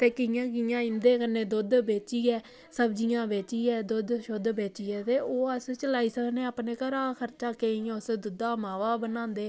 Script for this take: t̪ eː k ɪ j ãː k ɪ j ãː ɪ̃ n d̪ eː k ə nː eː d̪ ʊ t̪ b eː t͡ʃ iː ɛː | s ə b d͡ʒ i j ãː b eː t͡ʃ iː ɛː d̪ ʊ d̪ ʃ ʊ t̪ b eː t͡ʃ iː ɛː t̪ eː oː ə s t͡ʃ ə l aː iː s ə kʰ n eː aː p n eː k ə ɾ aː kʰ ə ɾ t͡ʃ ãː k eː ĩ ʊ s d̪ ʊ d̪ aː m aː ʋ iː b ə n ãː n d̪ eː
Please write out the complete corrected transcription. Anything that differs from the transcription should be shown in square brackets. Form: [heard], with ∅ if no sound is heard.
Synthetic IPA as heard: t̪ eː k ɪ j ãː k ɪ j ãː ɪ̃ n d̪ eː k ə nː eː d̪ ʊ [d̪] b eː t͡ʃ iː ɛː | s ə b d͡ʒ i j ãː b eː t͡ʃ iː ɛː d̪ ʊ d̪ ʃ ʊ [d̪] b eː t͡ʃ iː ɛː t̪ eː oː ə s t͡ʃ ə l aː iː s ə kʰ n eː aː p n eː k ə ɾ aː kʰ ə ɾ t͡ʃ [aː] k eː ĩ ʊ s d̪ ʊ d̪ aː m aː ʋ [aː] b ə n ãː n d̪ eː